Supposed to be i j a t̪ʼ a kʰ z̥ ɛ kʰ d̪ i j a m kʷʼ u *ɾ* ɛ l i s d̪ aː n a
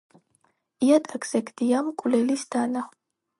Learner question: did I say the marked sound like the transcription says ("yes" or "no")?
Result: no